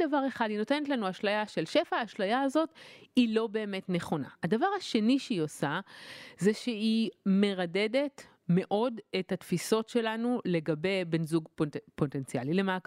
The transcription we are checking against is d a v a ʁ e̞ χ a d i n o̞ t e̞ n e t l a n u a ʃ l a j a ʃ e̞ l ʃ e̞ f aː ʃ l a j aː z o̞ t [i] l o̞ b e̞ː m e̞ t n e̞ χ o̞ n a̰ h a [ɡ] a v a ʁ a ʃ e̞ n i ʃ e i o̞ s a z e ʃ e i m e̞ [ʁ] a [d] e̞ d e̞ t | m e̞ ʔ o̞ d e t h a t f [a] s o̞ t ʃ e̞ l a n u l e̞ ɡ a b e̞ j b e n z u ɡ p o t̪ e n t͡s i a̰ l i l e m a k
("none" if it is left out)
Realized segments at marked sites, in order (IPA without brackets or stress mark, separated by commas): i, d, ʁ, d, i